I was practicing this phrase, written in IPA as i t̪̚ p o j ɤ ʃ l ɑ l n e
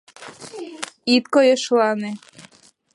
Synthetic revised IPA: i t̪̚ k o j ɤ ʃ l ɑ n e